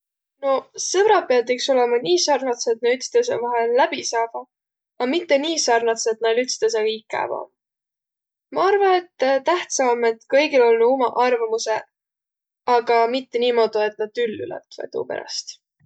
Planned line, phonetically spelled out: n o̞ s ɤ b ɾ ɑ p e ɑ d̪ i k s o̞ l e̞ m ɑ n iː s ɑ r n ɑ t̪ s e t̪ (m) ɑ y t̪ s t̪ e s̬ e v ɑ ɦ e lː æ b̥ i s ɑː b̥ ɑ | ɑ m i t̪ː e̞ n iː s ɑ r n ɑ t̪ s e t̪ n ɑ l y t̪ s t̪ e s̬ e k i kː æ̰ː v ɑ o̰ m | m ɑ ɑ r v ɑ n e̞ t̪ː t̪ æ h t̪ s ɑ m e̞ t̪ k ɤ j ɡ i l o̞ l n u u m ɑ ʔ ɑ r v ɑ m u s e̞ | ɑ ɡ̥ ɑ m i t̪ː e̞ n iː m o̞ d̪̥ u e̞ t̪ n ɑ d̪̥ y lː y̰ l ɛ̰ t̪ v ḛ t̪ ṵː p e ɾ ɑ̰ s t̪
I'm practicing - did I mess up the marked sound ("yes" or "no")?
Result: yes